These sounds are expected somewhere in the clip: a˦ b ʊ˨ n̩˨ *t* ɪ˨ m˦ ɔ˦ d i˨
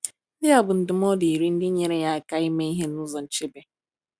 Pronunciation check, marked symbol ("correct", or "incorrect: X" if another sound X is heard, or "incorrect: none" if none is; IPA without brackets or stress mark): incorrect: d